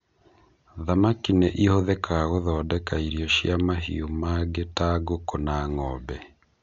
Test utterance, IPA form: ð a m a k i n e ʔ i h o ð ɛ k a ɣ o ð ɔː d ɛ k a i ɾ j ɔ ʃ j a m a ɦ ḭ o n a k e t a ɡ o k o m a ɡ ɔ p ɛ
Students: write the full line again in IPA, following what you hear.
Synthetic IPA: ð a m a k i n e ʔ i h o ð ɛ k a ɣ o ð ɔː d ɛ k a i ɾ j ɔ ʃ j a m a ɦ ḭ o m a ɡ e t a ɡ o k o n a ŋ ɔ b ɛ